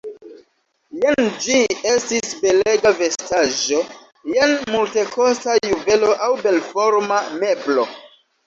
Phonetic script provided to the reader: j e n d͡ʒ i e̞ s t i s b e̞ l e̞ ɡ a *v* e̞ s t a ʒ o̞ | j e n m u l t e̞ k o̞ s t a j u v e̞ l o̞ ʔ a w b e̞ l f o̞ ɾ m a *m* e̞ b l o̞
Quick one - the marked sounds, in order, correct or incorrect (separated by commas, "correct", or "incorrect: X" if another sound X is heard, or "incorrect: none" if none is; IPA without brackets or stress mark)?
correct, correct